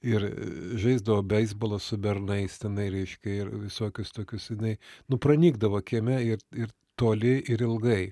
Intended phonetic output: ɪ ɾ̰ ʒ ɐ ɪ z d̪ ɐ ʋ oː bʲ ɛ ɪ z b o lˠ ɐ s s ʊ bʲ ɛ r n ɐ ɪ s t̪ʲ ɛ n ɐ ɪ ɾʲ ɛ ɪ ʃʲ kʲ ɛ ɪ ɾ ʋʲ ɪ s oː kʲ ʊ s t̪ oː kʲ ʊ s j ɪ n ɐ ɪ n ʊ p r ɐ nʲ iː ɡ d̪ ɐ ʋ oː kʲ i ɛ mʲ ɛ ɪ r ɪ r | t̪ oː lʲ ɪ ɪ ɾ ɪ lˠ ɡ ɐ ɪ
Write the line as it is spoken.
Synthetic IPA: ɪ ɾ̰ ʒ ɐ ɪ z d̪ ɐ ʋ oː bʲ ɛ ɪ z b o lˠ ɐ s s ʊ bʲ ɛ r n ɐ ɪ s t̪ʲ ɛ n ɐ ɪ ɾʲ ɛ ɪ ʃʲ kʲ ɛ ɪ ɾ ʋʲ ɪ s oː kʲ ʊ s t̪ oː kʲ ʊ s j ɪ n ɐ ɪ n ʊ p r ɐ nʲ iː ɡ d̪ ɐ ʋ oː kʲ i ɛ mʲ ɛ ɪ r ɪ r | t̪ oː lʲ ɪ ɪ ɾ ɪ lˠ ɡ ɐ ɪ